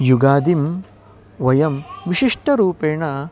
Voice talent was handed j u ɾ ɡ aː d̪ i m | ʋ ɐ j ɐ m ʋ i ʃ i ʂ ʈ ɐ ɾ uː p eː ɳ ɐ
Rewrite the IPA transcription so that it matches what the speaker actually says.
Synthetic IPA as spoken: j u ɡ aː d̪ i m | ʋ ɐ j ɐ m ʋ i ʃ i ʂ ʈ ɐ ɾ uː p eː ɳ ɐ